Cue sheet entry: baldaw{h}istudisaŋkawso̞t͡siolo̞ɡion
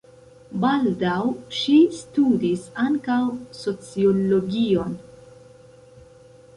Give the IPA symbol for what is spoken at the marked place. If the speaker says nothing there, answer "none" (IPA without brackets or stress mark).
ʃ